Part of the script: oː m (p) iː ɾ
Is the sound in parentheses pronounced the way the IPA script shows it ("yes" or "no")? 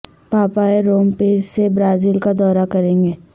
yes